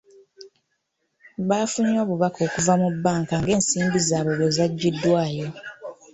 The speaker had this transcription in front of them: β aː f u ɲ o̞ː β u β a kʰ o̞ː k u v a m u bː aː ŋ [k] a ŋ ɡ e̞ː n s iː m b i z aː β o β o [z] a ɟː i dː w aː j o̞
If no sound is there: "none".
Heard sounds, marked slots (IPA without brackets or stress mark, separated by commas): k, z